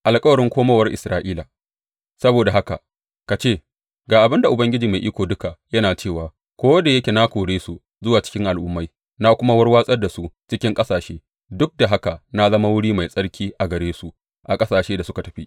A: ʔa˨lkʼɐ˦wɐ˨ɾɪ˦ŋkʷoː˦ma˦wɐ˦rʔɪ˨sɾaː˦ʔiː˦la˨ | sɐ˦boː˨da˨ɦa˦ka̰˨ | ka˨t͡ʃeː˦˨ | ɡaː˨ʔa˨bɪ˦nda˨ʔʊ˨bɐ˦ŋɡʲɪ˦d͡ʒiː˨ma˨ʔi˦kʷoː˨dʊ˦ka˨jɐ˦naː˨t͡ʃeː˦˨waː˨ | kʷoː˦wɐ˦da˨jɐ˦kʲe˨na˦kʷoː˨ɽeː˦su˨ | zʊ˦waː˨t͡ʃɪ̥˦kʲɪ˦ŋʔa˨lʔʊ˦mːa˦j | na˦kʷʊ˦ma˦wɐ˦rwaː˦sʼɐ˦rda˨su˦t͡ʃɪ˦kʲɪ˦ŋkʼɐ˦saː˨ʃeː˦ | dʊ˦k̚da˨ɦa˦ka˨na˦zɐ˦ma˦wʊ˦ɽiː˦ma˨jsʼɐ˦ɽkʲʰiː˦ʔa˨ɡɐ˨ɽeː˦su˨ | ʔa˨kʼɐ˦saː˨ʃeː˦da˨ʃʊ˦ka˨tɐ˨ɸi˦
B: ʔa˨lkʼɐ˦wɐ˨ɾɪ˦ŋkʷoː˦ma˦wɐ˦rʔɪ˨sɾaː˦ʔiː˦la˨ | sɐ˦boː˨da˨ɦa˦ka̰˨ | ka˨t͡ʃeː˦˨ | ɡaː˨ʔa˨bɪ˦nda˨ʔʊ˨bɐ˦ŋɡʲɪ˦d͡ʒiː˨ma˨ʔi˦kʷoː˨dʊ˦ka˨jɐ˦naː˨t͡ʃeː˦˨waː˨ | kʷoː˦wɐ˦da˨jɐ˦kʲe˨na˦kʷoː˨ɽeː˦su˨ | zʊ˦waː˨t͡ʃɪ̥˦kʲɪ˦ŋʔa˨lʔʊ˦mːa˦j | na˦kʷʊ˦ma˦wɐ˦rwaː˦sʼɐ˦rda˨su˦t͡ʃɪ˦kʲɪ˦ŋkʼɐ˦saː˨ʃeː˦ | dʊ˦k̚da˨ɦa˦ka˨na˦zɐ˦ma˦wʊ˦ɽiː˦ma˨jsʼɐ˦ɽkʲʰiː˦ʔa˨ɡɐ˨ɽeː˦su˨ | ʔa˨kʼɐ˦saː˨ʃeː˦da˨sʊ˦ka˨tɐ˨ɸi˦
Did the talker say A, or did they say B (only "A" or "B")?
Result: B